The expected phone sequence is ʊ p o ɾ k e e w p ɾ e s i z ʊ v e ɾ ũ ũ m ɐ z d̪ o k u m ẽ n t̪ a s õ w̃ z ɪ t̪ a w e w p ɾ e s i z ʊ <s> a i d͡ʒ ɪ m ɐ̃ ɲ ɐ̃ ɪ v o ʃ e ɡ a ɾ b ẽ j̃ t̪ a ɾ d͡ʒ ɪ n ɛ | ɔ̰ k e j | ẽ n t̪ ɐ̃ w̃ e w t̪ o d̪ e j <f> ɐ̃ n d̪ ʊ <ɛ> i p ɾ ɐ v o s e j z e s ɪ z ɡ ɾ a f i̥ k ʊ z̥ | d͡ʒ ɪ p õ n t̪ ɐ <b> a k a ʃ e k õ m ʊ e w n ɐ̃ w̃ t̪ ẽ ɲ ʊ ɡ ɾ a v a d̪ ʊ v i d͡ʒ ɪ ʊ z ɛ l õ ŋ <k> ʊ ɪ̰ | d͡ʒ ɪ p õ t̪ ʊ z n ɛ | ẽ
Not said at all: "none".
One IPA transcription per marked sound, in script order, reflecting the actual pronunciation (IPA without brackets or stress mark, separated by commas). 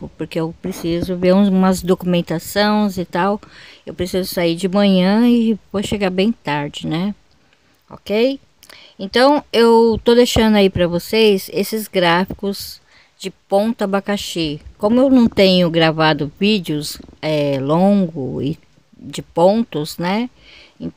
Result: s, ʃ, a, b, ɡ